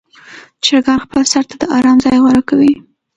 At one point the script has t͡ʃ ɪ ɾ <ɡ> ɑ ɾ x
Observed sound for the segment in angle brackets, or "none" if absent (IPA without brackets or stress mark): ɡ